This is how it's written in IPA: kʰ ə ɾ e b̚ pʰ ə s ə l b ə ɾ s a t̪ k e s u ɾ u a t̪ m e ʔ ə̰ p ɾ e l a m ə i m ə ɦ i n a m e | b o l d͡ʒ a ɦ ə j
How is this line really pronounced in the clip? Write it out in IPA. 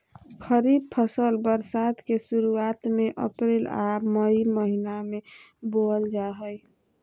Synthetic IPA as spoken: kʰ ə ɾ i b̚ pʰ ə s ə l b ə ɾ s a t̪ k e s u ɾ u a t̪ m e ʔ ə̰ p ɾ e l a m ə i m ə ɦ i n a m e | b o l d͡ʒ a ɦ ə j

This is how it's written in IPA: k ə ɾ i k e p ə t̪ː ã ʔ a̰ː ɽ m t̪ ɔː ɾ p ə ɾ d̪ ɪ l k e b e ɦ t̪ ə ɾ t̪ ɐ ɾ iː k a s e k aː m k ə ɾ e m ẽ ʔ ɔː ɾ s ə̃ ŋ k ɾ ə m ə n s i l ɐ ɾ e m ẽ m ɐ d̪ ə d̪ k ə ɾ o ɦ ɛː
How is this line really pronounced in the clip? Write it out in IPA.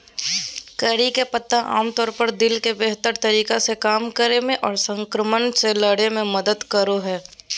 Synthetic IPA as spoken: k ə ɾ i k e p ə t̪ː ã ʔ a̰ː m t̪ ɔː ɾ p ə ɾ d̪ ɪ l k e b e ɦ t̪ ə ɾ t̪ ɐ ɾ iː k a s e k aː m k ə ɾ e m ẽ ʔ ɔː ɾ s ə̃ ŋ k ɾ ə m ə n s e l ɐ ɽ e m ẽ m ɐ d̪ ə d̪ k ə ɾ o ɦ ɛː

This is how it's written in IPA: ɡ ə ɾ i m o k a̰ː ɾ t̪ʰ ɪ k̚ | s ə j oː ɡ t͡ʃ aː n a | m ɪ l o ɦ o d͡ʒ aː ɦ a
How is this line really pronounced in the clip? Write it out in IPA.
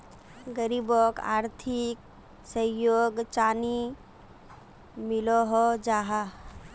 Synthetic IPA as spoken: ɡ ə ɾ i b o k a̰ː ɾ t̪ʰ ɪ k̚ | s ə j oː ɡ t͡ʃ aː n i | m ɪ l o ɦ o d͡ʒ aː ɦ a

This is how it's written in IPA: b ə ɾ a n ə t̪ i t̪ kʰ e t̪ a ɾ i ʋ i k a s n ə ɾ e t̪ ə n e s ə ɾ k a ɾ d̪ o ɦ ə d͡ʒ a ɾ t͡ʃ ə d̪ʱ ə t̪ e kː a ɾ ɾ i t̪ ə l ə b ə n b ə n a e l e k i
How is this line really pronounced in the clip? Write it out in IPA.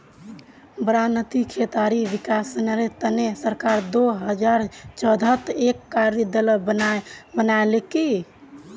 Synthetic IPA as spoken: b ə ɾ a n ə t̪ i kʰ e t̪ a ɾ i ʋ i k a s n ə ɾ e t̪ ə n e s ə ɾ k a ɾ d̪ o ɦ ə d͡ʒ a ɾ t͡ʃ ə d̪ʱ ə t̪ e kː a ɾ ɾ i d̪ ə l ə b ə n b ə n a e l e k i

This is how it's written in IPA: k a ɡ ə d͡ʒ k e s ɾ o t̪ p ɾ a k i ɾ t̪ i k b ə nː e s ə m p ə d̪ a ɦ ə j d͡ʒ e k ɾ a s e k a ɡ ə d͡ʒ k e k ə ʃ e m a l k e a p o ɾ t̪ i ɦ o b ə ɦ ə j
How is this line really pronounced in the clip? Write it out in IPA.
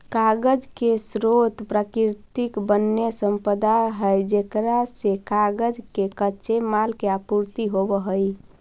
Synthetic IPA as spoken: k a ɡ ə d͡ʒ k e s ɾ o t̪ p ɾ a k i ɾ t̪ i k b ə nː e s ə m p ə d̪ a ɦ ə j d͡ʒ e k ɾ a s e k a ɡ ə d͡ʒ k e k ə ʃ e m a l k e a p u ɾ t̪ i ɦ o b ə ɦ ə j

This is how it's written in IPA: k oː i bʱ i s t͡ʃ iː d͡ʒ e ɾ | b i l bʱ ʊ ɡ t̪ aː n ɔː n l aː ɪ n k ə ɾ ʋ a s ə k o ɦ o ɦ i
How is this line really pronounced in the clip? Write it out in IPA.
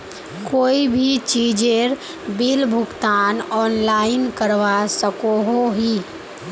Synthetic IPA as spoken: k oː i bʱ i t͡ʃ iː d͡ʒ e ɾ | b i l bʱ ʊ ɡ t̪ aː n ɔː n l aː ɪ n k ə ɾ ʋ a s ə k o ɦ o ɦ i

